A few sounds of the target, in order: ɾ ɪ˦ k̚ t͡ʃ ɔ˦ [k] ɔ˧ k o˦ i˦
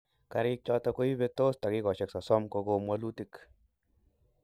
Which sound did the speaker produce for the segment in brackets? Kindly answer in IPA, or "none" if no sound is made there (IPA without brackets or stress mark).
t